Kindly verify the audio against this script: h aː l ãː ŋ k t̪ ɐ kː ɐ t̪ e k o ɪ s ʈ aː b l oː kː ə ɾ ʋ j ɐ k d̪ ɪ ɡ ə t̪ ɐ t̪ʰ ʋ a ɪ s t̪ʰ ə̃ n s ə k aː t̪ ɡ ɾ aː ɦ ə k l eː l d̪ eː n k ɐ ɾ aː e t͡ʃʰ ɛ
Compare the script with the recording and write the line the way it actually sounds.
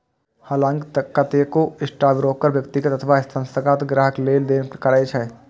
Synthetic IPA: h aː l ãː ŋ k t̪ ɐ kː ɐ t̪ e k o ɪ s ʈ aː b ɾ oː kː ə ɾ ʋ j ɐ k t̪ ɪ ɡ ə t̪ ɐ t̪ʰ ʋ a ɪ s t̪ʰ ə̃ n s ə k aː t̪ ɡ ɾ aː ɦ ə k l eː l d̪ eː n k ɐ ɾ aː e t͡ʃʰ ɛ